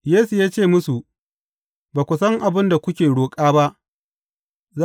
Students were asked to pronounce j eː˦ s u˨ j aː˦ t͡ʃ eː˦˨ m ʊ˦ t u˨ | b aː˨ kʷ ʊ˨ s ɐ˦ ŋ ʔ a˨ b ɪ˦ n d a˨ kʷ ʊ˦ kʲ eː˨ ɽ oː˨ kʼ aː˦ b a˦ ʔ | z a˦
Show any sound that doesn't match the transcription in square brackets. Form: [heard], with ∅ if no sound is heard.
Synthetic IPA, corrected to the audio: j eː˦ s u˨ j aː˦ t͡ʃ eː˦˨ m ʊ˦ [s] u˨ | b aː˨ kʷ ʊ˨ s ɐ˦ ŋ ʔ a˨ b ɪ˦ n d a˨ kʷ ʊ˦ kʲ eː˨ ɽ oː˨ kʼ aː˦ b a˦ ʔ | z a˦